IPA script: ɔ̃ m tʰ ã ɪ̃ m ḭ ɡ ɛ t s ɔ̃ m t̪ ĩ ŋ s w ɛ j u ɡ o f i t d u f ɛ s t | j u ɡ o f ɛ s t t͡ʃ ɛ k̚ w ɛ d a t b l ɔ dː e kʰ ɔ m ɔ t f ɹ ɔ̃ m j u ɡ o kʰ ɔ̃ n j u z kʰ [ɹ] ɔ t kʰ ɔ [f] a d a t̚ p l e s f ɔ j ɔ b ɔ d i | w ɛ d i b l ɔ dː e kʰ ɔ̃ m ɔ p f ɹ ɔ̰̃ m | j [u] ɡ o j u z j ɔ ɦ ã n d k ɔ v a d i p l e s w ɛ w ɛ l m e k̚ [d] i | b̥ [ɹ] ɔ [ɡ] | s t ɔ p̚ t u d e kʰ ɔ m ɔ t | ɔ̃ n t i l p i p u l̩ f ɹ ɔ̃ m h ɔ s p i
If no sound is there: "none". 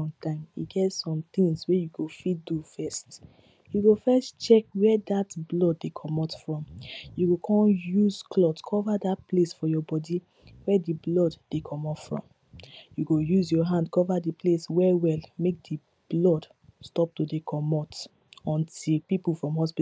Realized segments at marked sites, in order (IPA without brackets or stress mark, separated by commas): l, v, u, d, l, d